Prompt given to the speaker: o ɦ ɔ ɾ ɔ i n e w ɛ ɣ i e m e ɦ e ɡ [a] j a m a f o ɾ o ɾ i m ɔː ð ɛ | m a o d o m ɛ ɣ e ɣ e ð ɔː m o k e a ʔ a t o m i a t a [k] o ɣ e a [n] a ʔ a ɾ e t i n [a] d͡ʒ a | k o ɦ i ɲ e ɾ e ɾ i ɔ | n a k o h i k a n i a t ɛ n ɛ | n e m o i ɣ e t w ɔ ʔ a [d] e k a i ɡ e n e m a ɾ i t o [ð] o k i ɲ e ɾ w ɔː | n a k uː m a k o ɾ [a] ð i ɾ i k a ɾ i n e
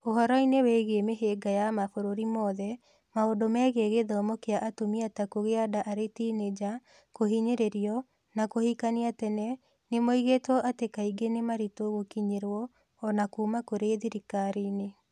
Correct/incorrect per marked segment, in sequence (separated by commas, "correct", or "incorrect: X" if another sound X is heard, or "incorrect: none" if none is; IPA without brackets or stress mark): correct, correct, incorrect: d, incorrect: e, incorrect: t, incorrect: ɣ, incorrect: e